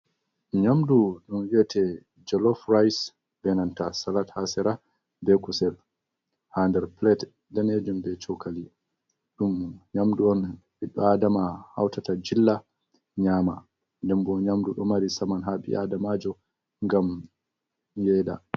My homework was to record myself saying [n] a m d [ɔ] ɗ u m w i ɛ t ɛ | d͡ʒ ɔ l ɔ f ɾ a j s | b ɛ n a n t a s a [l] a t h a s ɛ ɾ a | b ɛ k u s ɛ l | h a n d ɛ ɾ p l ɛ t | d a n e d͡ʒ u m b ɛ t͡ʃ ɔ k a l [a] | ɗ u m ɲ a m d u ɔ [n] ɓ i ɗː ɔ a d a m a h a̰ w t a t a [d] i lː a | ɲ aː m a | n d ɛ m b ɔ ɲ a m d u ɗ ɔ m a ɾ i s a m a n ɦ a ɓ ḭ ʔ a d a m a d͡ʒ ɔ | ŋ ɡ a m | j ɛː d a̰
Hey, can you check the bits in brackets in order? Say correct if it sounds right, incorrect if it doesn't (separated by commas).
incorrect, incorrect, correct, incorrect, correct, incorrect